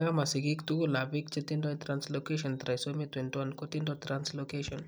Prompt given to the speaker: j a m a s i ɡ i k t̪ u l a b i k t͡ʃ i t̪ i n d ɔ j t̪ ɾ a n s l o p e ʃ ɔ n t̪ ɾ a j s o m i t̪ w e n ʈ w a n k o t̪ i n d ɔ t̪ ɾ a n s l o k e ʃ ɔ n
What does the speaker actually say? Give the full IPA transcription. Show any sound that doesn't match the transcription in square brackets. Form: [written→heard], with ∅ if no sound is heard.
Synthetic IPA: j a m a s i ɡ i k t̪ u l a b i k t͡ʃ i t̪ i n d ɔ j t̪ ɾ a n s l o [p→k] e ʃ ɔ n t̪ ɾ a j s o m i t̪ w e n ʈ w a n k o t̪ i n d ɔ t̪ ɾ a n s l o k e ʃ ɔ n